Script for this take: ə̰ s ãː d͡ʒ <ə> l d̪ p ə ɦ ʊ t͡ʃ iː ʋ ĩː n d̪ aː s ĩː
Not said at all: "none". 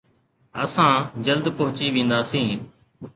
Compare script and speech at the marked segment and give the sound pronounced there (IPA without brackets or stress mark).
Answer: ə